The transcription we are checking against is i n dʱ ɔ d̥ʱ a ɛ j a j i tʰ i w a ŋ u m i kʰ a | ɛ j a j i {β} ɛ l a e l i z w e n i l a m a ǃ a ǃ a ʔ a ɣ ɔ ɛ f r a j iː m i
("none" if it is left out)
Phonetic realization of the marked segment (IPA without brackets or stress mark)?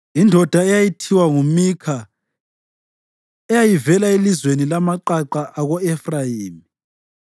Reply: v